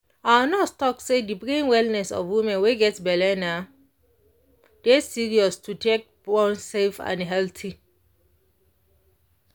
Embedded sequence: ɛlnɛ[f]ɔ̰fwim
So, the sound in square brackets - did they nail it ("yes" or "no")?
no